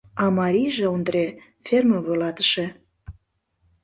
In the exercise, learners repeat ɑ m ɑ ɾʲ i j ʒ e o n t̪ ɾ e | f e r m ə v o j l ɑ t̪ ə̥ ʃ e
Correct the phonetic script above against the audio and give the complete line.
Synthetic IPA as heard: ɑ m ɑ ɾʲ i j ʒ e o n d̪ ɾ e | f e r m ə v o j l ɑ t̪ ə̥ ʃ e

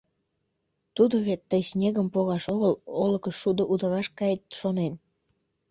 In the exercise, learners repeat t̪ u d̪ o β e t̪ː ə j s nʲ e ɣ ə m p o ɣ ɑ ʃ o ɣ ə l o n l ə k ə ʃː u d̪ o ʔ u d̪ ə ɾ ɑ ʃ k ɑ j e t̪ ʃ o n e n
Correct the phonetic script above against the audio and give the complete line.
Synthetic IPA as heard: t̪ u d̪ o β e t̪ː ə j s nʲ e ɣ ə m p o ɣ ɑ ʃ o ɣ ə l o l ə k ə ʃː u d̪ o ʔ u d̪ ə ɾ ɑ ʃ k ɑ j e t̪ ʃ o n e n

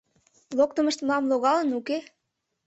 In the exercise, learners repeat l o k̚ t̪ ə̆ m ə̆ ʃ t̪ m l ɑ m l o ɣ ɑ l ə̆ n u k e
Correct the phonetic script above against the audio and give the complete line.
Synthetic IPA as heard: l o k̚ t̪ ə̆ m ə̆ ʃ t̪ m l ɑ m l o ɣ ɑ l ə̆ n u k e

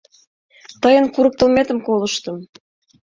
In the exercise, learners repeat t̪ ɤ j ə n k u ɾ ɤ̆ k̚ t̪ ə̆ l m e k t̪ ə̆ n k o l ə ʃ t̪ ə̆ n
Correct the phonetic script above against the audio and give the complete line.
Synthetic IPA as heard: t̪ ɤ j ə n k u ɾ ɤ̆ k̚ t̪ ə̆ l m e t̪ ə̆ m k o l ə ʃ t̪ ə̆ m

